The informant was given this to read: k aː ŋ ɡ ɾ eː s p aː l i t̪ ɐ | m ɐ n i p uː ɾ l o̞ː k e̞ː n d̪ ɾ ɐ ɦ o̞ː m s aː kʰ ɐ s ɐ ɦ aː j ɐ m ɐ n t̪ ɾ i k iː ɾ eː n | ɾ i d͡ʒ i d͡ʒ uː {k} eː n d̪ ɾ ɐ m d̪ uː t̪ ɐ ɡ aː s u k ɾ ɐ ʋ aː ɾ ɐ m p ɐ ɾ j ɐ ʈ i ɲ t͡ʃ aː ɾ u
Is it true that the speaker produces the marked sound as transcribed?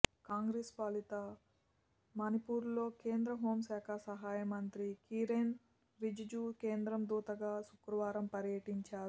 yes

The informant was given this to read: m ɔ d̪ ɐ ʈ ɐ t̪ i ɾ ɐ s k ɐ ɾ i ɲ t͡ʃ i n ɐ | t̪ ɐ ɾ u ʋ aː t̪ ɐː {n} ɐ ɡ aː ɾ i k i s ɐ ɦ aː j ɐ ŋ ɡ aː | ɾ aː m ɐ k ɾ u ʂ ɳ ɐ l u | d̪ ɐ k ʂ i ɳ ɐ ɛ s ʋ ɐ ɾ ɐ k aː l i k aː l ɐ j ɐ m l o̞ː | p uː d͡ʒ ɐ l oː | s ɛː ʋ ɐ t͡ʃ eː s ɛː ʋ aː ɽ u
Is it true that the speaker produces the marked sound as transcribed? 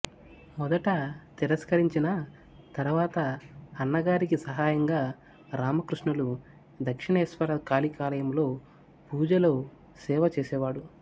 no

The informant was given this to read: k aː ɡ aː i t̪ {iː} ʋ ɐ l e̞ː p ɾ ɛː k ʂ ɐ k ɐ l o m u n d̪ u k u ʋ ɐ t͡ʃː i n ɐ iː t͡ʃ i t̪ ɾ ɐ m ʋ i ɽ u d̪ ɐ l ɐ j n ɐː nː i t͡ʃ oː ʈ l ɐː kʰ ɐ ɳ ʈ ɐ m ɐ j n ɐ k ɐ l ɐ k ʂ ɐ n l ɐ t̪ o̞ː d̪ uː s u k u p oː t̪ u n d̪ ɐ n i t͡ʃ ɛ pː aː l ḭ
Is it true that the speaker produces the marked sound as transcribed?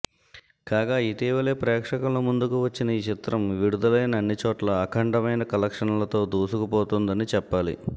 yes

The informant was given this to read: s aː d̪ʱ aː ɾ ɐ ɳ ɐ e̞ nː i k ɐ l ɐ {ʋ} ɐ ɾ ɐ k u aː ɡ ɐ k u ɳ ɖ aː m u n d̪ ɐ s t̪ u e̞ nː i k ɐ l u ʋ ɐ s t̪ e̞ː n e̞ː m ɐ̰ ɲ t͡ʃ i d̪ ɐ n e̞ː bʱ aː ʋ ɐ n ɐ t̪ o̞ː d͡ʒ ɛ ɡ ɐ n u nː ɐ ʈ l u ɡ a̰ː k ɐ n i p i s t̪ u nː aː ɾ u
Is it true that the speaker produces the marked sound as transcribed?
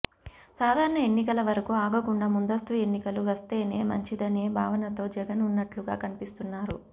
yes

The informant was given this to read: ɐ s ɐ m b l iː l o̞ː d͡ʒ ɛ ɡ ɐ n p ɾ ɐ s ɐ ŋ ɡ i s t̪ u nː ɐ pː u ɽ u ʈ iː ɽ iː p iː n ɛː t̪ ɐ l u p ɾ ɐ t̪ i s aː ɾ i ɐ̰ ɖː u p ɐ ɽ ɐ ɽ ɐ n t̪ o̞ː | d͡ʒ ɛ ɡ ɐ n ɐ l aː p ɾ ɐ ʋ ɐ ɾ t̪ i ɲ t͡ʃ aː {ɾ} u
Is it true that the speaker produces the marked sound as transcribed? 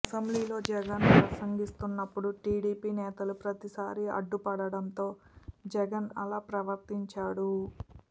no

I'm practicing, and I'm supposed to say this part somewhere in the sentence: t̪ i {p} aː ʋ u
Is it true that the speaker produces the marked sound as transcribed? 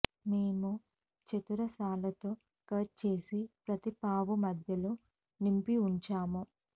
yes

